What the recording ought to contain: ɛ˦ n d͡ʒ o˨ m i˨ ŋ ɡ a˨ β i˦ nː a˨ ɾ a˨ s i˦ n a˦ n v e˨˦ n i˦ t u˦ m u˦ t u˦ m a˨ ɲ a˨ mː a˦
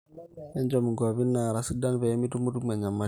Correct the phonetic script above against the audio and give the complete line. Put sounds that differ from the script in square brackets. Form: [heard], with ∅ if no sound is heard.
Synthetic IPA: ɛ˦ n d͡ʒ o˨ m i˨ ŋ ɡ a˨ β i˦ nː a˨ ɾ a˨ s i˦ [d] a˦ n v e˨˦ [m] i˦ t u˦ m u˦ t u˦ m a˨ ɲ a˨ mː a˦